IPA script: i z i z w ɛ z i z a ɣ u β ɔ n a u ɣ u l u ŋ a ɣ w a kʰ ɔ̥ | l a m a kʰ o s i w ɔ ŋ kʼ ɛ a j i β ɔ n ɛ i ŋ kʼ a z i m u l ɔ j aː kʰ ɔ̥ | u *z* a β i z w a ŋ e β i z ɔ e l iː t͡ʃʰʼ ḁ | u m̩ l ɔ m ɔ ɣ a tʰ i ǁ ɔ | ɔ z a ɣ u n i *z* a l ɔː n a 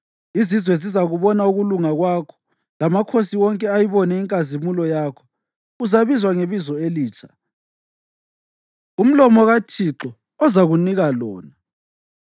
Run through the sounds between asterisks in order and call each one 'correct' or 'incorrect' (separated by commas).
correct, incorrect